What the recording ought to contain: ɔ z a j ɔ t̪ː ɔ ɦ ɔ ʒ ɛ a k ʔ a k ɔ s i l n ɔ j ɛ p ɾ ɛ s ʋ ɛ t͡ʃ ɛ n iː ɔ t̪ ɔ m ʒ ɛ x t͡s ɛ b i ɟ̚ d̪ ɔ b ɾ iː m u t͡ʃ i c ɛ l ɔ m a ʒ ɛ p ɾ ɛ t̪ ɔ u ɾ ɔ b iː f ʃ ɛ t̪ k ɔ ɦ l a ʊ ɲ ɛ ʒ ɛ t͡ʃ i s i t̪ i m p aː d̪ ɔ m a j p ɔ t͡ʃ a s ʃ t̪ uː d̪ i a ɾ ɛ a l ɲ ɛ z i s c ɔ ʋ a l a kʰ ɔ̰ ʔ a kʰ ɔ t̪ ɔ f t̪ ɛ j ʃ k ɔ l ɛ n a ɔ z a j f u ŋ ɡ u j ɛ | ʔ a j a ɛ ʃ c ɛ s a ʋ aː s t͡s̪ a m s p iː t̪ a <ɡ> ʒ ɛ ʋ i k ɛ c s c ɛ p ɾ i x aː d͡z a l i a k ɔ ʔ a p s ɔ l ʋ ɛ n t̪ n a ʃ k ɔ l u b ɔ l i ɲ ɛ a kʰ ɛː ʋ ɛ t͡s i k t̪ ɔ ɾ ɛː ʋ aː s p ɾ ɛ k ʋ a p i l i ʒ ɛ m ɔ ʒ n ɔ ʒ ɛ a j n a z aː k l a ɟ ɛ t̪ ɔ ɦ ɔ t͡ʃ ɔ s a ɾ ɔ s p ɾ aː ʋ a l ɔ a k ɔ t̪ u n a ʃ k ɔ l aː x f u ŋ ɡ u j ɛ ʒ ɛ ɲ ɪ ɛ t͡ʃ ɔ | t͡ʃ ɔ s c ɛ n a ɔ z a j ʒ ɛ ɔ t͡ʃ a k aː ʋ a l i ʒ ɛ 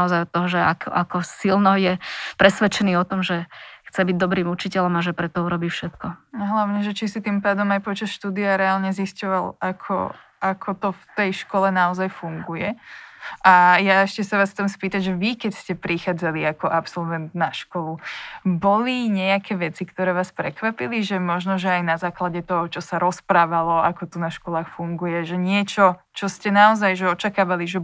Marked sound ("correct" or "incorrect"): incorrect